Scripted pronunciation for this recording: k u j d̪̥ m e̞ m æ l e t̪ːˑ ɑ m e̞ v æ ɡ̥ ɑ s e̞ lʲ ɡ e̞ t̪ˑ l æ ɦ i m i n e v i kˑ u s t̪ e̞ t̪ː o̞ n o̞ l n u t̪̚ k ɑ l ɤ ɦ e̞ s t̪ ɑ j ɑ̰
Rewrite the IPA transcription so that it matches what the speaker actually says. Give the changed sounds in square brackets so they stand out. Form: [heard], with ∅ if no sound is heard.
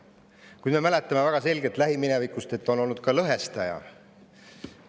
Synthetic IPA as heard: k u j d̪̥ m e̞ m æ l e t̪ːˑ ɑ m e̞ v æ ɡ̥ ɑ s e̞ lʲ ɡ e̞ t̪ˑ l æ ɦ i m i n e v i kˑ u s t̪ e̞ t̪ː o̞ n o̞ l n u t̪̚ k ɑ l ɤ ɦ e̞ s t̪ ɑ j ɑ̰